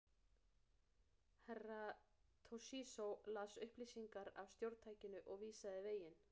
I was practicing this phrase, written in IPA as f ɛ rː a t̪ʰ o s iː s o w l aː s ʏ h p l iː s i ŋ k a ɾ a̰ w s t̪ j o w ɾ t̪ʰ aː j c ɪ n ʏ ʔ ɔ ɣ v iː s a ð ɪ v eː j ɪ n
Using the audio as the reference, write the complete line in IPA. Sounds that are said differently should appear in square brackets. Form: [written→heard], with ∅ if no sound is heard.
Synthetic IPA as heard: [f→h] ɛ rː a t̪ʰ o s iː s o w l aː s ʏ h p l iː s i ŋ k a ɾ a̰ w s t̪ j o w ɾ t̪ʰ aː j c ɪ n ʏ ʔ ɔ ɣ v iː s a ð ɪ v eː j ɪ n